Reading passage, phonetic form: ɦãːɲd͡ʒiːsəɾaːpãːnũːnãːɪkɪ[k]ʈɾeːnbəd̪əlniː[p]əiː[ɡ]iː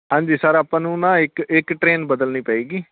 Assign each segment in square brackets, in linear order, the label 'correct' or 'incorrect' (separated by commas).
correct, correct, correct